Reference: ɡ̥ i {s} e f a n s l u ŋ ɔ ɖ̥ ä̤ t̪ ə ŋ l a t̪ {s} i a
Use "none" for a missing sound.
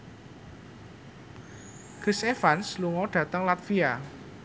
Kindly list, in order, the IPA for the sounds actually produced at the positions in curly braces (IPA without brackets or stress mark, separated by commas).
s, f